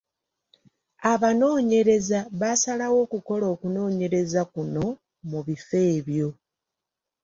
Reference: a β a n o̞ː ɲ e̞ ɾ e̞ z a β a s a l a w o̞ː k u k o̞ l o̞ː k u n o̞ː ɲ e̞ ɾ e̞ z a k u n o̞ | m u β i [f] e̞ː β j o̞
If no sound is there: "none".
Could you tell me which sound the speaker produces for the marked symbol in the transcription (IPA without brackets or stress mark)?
f